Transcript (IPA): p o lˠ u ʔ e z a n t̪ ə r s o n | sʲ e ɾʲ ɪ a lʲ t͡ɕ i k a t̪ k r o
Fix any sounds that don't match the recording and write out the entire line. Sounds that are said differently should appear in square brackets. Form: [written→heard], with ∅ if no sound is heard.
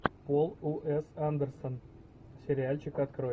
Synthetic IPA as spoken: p o lˠ u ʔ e [z→s] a n [t̪→d̪] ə r s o n | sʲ e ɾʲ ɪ a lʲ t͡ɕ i k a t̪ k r o